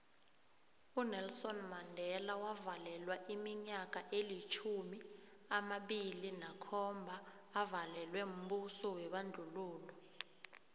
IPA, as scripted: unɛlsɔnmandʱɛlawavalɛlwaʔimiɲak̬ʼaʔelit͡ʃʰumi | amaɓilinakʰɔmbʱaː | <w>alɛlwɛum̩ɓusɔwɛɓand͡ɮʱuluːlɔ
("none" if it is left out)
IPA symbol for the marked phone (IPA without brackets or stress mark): v